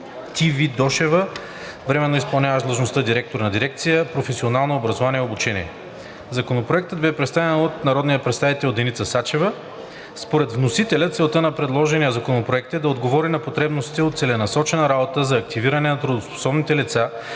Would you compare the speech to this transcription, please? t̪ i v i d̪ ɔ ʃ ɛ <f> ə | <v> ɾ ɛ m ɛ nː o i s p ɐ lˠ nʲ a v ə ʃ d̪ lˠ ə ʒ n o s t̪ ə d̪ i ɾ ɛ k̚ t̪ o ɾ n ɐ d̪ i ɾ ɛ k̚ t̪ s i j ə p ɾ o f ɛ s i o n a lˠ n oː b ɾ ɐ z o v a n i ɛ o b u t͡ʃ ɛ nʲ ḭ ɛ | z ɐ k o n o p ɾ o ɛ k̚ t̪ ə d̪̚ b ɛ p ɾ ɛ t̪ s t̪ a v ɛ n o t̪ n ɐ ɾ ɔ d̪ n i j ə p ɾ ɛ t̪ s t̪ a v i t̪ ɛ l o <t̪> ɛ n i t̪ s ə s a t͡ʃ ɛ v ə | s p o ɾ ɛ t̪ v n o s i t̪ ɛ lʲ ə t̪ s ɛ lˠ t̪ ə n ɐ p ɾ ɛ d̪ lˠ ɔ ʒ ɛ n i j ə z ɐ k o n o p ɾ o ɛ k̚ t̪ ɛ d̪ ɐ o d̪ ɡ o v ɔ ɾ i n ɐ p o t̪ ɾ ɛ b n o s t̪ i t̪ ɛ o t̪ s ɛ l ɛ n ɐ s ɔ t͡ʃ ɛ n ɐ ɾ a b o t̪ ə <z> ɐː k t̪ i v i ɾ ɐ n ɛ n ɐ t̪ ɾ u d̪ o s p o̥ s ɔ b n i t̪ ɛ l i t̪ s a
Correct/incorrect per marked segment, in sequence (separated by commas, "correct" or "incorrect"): incorrect, correct, incorrect, correct